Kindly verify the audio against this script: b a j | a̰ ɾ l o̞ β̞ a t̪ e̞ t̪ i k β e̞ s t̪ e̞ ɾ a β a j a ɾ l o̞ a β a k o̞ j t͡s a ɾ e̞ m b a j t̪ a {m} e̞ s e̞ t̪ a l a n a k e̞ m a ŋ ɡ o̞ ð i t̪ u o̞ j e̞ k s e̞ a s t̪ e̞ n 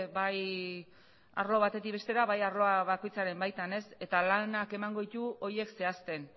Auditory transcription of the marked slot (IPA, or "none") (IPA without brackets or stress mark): n